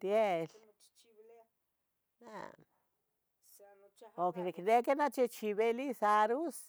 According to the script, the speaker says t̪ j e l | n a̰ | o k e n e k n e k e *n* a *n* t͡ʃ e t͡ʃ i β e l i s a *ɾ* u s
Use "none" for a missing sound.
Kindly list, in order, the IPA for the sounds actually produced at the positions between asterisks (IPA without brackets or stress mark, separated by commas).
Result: n, none, ɾ